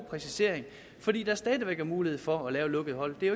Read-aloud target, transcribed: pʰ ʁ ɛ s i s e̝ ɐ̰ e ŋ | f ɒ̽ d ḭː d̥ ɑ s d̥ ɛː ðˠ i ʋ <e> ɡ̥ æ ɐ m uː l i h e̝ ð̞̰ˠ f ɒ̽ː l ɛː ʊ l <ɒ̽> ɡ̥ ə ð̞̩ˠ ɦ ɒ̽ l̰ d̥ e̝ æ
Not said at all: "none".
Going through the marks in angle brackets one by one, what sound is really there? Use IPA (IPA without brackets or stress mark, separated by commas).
e, ɔ̽